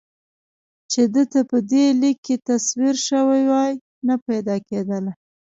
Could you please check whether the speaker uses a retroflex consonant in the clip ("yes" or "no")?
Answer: no